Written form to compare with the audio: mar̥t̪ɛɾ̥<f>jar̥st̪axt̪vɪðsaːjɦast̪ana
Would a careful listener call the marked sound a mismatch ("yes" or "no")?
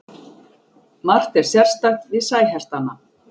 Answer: yes